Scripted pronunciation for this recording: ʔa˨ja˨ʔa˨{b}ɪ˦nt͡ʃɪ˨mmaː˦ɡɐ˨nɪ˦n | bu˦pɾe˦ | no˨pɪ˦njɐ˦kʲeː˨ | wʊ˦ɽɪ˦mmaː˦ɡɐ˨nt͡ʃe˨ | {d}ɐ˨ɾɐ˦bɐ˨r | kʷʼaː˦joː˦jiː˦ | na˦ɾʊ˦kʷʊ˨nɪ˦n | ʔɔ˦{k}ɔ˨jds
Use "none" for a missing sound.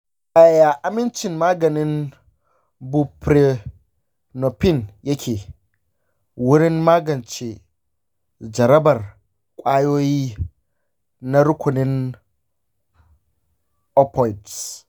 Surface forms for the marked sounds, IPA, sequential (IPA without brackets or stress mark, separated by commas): m, d͡ʒ, p